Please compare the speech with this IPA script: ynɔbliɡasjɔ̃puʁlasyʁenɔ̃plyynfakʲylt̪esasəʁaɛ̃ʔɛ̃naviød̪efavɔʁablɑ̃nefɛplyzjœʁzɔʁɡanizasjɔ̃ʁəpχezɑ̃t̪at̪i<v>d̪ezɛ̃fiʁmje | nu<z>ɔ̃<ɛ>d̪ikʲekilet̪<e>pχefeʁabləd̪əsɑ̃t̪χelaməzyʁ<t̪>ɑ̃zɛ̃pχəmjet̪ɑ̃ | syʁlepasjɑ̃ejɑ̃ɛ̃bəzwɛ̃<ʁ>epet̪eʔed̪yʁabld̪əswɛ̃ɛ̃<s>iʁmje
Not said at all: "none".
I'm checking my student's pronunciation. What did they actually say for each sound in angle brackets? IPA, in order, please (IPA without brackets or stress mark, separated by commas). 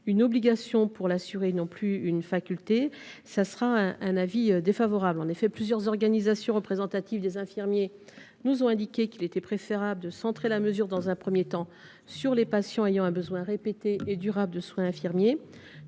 v, z, ɛ̃, ɛ, d̪, ʁ, f